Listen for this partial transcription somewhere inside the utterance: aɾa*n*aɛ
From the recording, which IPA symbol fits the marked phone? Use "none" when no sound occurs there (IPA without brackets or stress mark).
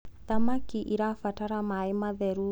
m